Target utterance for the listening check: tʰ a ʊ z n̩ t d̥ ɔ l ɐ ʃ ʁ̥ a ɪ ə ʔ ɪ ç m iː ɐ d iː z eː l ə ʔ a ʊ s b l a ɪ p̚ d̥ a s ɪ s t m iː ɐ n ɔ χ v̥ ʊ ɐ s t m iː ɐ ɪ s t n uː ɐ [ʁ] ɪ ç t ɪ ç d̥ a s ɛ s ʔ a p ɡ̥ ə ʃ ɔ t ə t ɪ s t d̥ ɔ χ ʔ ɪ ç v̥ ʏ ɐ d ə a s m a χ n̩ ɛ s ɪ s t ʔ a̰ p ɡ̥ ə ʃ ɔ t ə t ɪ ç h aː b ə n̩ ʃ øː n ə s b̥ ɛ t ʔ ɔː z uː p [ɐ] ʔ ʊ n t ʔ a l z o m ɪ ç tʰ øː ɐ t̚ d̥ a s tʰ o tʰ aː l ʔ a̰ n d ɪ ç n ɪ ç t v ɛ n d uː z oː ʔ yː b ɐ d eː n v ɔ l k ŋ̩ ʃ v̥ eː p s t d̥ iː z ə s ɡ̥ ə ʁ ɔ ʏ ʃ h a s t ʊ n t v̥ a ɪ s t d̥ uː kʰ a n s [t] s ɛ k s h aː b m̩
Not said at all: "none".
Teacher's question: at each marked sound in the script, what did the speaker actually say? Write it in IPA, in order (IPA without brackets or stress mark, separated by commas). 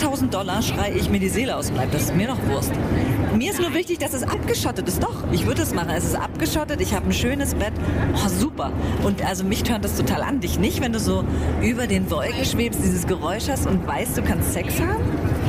v, ɐ, t